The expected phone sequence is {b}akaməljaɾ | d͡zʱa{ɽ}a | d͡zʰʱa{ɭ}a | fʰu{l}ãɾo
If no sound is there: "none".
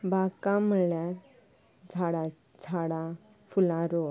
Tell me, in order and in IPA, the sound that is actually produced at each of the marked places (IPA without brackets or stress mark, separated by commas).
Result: b, ɽ, ɽ, l